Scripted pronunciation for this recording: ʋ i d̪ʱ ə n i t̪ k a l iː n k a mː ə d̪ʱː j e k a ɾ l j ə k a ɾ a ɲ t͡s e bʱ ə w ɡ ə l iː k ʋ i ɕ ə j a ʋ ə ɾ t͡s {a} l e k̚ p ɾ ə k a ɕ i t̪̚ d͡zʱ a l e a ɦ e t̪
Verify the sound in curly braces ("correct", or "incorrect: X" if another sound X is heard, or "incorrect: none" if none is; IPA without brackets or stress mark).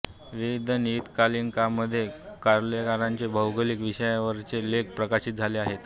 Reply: incorrect: e